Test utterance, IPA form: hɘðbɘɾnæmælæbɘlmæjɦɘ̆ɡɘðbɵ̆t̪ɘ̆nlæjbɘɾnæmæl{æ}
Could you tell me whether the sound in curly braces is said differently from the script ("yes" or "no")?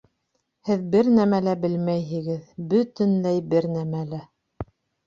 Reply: no